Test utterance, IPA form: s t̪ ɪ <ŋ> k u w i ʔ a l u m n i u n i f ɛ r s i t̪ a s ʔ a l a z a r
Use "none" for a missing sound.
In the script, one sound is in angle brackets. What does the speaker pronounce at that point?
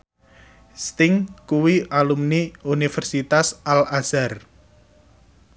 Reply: ŋ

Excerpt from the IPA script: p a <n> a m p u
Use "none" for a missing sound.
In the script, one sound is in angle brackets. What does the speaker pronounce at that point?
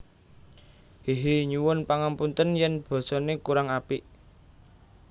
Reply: ŋ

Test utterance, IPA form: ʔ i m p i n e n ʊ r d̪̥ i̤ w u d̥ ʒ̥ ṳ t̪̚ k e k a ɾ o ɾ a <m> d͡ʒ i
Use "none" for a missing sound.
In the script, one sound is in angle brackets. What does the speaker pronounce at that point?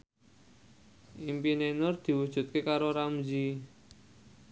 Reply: m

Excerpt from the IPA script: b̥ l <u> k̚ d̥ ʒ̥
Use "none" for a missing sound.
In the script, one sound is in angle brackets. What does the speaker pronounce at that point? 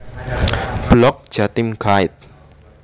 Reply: ɔ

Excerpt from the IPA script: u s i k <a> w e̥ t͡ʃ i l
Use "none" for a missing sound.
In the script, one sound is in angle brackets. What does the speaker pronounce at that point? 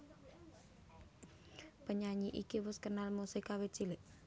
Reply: a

